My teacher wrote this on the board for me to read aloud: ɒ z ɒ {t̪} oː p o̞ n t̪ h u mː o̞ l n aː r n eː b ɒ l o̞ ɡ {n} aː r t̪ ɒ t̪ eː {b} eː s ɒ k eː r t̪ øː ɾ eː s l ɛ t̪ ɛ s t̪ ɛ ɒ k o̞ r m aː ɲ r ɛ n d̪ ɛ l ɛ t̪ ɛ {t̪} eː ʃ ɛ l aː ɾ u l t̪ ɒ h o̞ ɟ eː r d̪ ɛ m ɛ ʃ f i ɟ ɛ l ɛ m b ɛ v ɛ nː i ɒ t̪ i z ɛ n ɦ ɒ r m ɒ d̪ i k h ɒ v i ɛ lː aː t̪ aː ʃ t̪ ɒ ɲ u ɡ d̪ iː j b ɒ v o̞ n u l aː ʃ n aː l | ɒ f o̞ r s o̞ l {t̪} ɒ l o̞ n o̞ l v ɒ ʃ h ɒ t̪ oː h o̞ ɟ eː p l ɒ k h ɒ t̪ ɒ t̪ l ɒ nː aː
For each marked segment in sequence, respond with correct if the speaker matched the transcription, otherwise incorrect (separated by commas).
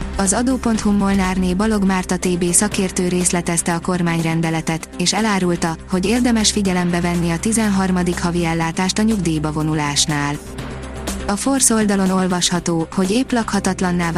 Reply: incorrect, incorrect, correct, correct, incorrect